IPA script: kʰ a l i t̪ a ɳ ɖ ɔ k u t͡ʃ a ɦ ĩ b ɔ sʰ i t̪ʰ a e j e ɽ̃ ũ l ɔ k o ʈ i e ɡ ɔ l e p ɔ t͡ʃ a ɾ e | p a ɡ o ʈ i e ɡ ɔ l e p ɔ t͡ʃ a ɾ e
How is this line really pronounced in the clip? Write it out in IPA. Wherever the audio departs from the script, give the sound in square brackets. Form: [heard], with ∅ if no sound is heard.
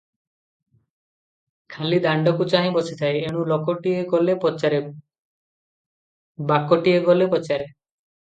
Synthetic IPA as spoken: kʰ a l i [d̪] a ɳ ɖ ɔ k u t͡ʃ a ɦ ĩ b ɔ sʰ i t̪ʰ a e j e ɽ̃ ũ l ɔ k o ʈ i e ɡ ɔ l e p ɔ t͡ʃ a ɾ e | [b] a [k] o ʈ i e ɡ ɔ l e p ɔ t͡ʃ a ɾ e